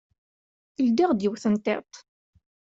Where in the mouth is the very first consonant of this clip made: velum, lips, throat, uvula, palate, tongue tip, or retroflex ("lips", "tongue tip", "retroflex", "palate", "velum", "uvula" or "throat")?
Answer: tongue tip